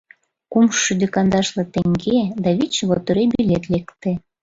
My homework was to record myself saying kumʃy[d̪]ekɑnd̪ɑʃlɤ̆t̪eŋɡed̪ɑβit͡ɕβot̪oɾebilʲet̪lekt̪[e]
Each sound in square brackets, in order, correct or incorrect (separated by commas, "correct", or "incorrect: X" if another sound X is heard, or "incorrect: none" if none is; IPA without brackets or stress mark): correct, correct